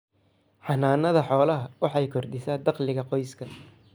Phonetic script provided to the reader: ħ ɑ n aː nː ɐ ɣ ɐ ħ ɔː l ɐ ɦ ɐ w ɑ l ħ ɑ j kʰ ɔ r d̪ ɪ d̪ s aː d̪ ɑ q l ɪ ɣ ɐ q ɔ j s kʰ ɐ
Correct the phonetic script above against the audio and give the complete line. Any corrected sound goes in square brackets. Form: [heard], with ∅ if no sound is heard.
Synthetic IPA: ħ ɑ n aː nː ɐ [ð] ɐ ħ ɔː l ɐ ɦ ɐ w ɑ [∅] ħ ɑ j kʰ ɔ r d̪ ɪ [∅] s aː d̪ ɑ q l ɪ ɣ ɐ q ɔ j s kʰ ɐ